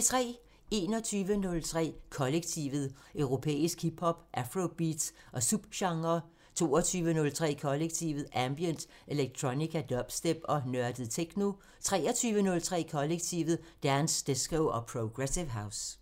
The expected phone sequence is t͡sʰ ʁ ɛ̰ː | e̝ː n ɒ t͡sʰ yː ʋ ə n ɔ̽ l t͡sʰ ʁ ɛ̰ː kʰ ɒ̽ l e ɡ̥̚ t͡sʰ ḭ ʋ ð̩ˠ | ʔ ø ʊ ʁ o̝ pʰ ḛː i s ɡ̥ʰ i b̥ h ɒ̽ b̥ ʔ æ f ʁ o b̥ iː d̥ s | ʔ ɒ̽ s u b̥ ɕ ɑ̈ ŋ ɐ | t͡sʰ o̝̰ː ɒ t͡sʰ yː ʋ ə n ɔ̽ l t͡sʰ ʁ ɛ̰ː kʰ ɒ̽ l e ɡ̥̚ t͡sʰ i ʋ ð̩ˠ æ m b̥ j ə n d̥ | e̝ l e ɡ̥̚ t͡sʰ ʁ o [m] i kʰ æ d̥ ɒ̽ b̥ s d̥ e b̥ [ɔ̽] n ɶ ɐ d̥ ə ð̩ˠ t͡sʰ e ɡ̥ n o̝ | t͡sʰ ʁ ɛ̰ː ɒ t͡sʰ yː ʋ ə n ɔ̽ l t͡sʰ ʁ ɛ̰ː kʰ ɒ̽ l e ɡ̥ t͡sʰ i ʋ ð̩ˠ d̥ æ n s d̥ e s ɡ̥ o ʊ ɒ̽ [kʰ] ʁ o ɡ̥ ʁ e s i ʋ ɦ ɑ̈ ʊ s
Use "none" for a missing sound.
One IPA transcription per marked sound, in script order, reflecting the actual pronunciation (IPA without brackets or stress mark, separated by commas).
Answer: n, ɒ̽, pʰ